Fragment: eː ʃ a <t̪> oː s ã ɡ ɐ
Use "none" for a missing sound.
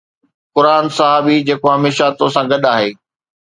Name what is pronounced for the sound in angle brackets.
t̪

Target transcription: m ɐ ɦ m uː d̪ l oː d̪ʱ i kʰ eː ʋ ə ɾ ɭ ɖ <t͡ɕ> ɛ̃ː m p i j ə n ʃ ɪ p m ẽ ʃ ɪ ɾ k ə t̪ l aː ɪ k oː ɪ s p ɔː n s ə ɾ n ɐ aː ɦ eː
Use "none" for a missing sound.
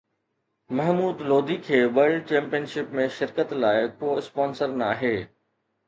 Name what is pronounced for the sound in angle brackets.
t͡ɕ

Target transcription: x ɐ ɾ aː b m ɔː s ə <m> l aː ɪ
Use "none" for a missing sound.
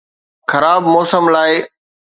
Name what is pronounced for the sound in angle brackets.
m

